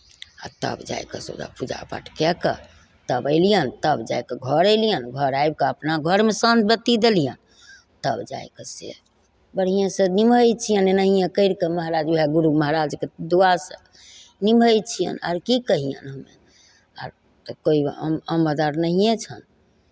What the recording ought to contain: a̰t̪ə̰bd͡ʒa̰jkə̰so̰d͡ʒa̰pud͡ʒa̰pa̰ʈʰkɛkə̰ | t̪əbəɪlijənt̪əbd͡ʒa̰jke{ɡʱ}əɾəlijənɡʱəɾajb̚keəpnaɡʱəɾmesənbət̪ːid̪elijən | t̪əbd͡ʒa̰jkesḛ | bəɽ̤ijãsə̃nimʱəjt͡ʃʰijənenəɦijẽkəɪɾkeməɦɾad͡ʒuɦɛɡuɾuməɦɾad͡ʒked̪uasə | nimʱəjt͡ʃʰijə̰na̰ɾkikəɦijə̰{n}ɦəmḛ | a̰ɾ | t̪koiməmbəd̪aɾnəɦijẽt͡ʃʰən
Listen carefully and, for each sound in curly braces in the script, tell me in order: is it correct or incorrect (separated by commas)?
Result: correct, correct